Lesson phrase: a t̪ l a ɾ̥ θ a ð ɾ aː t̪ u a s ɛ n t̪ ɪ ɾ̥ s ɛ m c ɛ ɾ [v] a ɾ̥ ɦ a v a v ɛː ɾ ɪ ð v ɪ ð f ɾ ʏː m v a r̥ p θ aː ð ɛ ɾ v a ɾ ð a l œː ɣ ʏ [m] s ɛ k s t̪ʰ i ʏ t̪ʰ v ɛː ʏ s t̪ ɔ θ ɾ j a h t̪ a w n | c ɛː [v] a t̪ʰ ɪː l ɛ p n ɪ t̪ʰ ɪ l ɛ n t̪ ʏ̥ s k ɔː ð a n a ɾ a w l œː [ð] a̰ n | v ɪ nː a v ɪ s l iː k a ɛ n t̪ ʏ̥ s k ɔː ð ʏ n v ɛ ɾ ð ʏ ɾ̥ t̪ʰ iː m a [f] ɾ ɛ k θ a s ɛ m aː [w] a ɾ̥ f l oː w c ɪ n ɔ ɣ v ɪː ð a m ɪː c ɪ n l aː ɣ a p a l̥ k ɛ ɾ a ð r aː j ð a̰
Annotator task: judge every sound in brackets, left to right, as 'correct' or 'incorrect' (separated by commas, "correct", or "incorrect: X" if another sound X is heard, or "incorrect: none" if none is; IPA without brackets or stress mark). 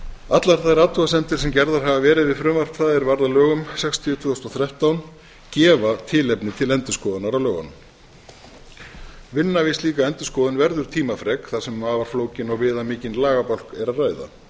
incorrect: ð, correct, correct, incorrect: ɣ, correct, incorrect: v